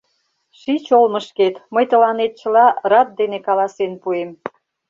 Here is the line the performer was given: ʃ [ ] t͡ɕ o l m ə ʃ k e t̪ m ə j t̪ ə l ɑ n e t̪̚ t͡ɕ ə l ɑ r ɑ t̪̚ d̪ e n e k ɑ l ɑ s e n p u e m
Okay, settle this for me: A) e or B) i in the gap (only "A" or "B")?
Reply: B